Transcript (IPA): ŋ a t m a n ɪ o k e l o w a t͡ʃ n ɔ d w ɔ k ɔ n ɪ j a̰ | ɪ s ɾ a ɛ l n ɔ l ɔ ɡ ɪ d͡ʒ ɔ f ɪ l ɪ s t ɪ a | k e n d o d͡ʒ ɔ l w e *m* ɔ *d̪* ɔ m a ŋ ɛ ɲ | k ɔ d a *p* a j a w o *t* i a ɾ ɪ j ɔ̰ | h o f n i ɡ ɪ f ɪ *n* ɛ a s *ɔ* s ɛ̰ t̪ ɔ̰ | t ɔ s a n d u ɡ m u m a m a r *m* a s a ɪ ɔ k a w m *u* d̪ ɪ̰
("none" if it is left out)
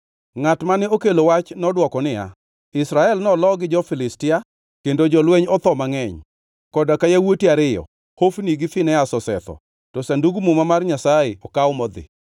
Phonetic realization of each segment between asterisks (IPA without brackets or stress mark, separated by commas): ɲ, t̪, k, t, n, ɔ, ɲ, ɔ